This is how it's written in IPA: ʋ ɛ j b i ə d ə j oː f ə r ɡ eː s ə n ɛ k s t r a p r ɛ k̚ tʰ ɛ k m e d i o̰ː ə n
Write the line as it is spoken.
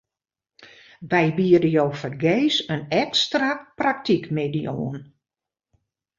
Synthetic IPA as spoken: ʋ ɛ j b i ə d ə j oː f ə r ɡ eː s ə n ɛ k s t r a p r a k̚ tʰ i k m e d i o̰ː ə n